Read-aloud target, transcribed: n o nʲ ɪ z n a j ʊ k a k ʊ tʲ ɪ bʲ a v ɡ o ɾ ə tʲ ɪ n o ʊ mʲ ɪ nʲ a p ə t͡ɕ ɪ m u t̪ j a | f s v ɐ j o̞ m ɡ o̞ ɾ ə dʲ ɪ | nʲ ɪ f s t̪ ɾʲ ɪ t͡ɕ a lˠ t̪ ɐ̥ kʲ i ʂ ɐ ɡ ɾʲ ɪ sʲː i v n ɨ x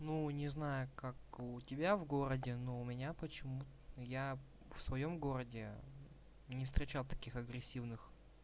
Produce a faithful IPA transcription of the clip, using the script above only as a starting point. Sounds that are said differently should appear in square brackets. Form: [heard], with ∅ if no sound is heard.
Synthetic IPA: n [u] nʲ ɪ z n a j ʊ k a k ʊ tʲ ɪ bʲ a v ɡ o ɾ ə [dʲ] ɪ n o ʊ mʲ ɪ nʲ a p ə t͡ɕ ɪ m u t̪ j a | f s v ɐ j o̞ m ɡ o̞ ɾ ə dʲ ɪ | nʲ ɪ f s t̪ ɾʲ ɪ t͡ɕ a lˠ t̪ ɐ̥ kʲ i [x] ɐ ɡ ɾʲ ɪ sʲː i v n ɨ x